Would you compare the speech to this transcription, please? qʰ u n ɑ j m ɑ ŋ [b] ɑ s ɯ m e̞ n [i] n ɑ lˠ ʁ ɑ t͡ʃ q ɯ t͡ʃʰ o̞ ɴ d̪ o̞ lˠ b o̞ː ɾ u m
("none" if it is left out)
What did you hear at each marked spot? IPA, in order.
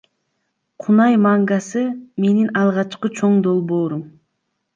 ɡ, i

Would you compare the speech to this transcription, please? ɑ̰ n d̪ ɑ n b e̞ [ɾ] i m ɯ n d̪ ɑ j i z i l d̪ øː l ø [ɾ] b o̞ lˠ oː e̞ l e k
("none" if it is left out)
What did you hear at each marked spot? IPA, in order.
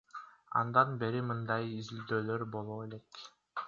ɾ, ɾ

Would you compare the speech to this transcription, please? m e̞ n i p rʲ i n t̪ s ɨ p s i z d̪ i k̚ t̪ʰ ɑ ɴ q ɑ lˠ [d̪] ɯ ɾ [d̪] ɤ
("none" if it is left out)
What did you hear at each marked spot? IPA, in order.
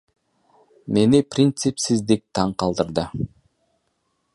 d̪, d̪

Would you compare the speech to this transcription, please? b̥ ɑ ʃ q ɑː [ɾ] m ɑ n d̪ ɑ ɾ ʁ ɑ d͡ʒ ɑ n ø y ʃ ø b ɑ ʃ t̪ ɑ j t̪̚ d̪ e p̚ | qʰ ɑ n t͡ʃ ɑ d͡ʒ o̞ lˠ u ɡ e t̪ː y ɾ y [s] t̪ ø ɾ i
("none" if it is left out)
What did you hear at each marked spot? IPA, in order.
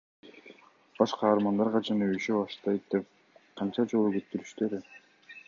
ɾ, ʃ

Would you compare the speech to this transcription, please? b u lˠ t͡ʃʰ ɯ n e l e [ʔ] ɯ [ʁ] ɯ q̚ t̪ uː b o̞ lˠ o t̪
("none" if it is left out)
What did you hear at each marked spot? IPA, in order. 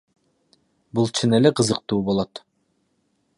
q, z

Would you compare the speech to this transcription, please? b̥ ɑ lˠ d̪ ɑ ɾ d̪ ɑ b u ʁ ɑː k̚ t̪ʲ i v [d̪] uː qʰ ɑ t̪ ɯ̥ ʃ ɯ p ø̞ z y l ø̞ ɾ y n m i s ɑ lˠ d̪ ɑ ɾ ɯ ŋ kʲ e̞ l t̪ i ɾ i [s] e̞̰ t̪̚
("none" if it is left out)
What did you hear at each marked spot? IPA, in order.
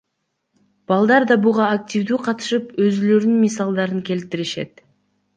d̪, ʃ

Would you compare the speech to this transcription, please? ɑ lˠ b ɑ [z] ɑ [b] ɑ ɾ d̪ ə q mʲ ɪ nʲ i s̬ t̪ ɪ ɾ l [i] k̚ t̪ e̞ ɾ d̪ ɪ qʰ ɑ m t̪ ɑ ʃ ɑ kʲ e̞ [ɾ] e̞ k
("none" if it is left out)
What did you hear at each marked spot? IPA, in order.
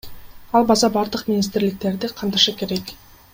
z, b, ɪ, ɾ

